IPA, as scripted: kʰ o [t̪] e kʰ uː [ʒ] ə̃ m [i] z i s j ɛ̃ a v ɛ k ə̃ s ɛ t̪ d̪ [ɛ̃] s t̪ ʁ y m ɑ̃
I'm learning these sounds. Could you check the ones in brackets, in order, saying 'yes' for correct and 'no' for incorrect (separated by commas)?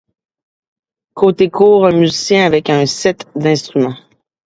yes, no, no, yes